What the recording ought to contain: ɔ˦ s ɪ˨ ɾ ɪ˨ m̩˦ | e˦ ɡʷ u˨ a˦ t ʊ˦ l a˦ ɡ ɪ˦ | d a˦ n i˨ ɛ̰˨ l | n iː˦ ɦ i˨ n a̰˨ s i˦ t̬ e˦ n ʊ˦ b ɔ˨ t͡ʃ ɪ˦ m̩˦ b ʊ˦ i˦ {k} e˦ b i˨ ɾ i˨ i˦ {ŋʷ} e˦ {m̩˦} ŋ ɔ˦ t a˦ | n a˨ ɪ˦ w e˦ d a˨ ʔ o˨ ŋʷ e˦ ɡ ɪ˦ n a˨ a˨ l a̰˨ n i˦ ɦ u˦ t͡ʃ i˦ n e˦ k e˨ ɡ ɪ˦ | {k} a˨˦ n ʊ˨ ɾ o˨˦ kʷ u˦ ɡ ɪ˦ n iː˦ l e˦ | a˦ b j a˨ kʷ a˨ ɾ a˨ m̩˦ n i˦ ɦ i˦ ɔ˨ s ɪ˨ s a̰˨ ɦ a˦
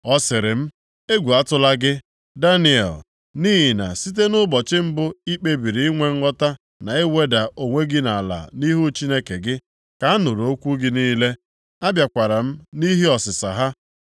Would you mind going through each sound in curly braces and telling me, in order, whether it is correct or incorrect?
incorrect: k͡p, correct, incorrect: ŋ̩˦, correct

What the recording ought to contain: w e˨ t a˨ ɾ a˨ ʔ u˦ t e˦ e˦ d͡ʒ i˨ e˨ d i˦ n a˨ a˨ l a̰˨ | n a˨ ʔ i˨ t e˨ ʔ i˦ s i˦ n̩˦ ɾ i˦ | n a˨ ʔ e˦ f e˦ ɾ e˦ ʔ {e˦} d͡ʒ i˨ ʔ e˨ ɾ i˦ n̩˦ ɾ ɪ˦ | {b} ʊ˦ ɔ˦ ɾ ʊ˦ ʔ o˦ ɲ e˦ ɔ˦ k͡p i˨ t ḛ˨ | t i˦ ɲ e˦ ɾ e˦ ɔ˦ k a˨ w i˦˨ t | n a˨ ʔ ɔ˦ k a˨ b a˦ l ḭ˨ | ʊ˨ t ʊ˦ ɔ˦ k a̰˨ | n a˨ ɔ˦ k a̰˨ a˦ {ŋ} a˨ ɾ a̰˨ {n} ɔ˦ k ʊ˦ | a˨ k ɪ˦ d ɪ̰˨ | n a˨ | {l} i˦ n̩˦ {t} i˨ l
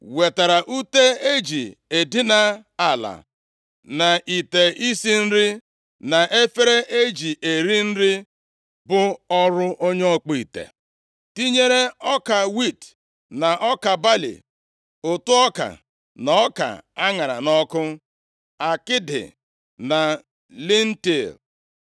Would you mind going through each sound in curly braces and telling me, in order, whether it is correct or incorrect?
correct, correct, correct, correct, correct, correct

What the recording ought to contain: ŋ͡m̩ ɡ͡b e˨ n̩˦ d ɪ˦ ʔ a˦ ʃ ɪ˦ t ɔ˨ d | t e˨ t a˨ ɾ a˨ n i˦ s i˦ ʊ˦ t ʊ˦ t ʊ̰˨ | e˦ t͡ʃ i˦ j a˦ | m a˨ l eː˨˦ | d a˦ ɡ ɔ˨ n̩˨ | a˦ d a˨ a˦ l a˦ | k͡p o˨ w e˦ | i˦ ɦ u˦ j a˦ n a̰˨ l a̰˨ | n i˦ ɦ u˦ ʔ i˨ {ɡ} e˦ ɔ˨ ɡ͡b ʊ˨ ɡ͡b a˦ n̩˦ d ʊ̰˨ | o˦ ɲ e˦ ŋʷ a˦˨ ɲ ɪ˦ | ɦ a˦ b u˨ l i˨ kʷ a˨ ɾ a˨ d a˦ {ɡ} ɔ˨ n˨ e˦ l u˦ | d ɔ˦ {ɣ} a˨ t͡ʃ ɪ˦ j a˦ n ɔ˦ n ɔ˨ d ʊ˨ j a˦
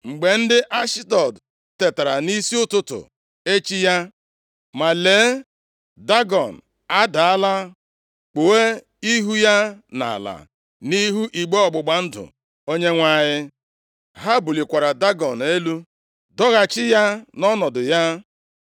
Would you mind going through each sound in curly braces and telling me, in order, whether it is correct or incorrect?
incorrect: ɡ͡b, correct, correct

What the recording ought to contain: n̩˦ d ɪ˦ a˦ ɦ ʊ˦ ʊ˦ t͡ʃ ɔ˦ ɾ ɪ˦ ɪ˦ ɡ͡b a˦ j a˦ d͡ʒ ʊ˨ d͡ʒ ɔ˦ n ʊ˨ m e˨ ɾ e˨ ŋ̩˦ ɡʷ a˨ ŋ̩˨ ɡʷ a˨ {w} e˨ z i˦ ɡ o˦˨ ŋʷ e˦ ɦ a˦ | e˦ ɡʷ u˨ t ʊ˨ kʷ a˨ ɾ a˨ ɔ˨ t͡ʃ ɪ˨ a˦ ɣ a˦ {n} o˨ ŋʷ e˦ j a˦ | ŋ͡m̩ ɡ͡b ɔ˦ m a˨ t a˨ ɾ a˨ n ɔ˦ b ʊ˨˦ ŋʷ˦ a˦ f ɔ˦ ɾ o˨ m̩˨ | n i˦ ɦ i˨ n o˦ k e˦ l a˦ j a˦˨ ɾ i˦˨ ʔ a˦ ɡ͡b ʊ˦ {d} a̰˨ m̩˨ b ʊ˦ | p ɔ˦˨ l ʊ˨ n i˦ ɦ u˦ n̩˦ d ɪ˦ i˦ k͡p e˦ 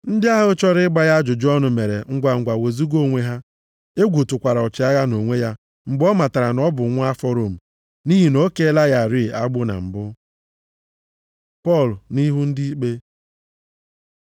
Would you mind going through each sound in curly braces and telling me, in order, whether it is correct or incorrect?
correct, correct, incorrect: n

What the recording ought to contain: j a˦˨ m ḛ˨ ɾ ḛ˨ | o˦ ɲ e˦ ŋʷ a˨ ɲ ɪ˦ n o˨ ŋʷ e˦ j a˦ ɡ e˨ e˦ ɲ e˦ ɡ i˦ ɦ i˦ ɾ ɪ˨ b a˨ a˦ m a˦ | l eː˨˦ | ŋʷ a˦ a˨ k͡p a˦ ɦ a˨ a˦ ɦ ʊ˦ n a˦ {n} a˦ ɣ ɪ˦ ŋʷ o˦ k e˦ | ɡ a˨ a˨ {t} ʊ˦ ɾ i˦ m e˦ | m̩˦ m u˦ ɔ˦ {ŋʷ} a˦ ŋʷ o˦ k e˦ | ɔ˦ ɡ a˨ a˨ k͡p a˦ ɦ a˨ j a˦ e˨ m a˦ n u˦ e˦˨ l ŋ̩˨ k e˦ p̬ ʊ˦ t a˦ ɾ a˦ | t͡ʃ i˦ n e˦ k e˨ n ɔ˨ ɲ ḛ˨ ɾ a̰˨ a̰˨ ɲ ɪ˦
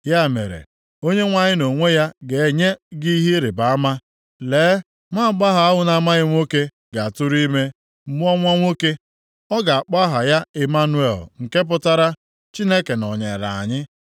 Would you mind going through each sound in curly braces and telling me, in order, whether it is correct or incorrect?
incorrect: m, correct, correct

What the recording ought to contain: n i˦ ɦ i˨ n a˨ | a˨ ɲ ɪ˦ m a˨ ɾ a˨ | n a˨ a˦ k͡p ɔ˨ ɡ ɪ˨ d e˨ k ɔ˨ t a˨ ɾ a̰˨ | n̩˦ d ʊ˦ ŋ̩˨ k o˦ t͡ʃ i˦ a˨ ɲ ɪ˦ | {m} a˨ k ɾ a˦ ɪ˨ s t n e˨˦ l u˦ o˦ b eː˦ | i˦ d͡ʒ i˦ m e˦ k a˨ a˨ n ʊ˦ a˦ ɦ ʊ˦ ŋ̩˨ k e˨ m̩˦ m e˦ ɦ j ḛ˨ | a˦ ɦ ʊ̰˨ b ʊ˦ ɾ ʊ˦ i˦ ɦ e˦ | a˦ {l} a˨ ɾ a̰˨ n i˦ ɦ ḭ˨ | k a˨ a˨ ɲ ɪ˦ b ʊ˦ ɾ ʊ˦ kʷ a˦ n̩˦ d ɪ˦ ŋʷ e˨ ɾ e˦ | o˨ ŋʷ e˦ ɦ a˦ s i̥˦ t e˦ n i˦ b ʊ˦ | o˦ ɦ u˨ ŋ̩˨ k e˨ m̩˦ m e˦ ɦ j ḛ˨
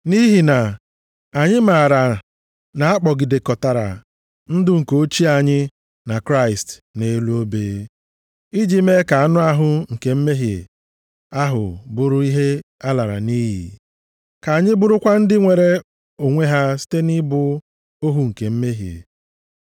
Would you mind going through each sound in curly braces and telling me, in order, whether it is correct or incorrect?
incorrect: n, correct

